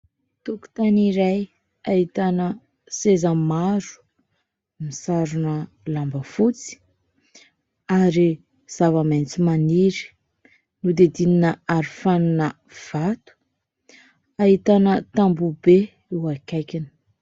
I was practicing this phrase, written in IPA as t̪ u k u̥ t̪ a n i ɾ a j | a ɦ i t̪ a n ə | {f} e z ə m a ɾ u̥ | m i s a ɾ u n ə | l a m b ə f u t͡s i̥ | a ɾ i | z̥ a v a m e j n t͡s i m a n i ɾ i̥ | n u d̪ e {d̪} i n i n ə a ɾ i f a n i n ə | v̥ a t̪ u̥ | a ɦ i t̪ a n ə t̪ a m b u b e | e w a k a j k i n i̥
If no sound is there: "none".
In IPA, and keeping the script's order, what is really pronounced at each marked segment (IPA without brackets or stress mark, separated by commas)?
s, d̪